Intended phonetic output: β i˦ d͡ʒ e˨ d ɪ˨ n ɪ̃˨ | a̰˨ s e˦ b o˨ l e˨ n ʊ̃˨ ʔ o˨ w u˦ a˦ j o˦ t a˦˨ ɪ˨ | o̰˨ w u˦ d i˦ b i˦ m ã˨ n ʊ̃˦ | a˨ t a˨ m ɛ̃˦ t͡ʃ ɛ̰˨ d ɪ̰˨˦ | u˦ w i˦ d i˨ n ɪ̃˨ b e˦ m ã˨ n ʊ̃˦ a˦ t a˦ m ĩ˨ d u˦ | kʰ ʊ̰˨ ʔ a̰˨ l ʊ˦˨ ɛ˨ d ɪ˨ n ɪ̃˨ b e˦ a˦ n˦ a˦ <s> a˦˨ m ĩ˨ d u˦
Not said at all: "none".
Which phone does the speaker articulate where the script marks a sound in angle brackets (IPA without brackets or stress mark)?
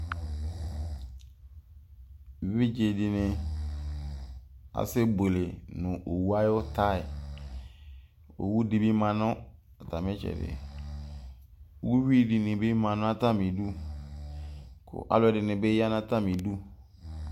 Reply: t